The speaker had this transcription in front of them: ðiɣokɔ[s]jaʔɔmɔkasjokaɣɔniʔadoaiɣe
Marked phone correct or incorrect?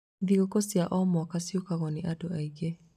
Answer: correct